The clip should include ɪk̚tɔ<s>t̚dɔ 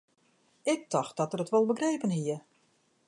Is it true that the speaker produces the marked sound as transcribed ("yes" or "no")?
no